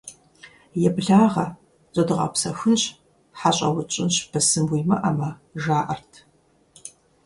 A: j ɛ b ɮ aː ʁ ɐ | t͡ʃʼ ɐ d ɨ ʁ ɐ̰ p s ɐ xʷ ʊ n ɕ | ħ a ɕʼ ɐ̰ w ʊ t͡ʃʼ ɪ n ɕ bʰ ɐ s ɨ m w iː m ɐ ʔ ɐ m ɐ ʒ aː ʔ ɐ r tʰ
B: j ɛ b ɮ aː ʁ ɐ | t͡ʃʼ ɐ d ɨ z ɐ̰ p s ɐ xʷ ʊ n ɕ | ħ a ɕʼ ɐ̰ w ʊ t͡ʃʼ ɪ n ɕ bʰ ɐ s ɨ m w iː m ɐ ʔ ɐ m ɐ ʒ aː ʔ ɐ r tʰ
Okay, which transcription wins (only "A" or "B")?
A